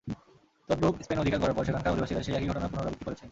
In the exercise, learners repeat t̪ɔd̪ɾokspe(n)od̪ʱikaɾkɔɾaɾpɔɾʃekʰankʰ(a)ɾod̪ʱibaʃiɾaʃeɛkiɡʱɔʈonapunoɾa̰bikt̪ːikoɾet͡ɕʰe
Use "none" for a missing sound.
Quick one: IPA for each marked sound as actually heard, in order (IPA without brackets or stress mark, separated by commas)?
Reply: n, a